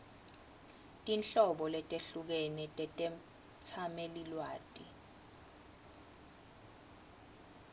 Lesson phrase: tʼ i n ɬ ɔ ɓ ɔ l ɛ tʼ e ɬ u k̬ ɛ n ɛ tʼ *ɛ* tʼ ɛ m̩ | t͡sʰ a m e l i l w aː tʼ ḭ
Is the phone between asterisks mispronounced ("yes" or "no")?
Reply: no